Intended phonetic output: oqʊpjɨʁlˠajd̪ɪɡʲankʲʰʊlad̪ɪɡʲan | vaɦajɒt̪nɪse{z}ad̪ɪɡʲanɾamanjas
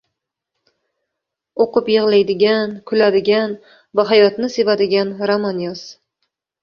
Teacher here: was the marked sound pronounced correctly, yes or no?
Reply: no